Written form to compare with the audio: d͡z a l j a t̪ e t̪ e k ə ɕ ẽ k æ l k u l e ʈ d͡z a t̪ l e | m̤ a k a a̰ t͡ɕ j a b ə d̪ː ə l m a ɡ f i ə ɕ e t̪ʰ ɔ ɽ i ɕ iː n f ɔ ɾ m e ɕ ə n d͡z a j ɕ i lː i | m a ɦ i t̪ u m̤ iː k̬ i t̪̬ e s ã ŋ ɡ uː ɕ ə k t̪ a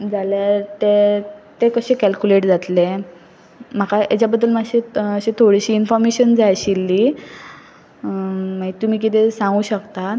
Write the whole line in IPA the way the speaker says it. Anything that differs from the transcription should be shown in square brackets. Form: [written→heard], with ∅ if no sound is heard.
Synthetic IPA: d͡z a l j a t̪ e t̪ e k ə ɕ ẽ k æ l k u l e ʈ d͡z a t̪ l e | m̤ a k a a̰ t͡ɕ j a b ə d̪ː ə l m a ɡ [f→ɕ] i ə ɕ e t̪ʰ [ɔ→o] ɽ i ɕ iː n f ɔ ɾ m e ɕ ə n d͡z a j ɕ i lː i | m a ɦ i t̪ u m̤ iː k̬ i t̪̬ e s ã ŋ ɡ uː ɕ ə k t̪ a